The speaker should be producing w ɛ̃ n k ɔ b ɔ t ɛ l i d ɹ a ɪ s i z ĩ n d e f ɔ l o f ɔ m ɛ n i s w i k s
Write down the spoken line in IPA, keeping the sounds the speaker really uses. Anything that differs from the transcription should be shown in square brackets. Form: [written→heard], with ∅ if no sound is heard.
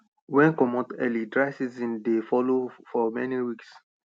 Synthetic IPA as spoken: w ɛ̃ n k ɔ [b→m] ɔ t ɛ l i d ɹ a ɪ s i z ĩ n d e f ɔ l o f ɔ m ɛ n i [s→∅] w i k s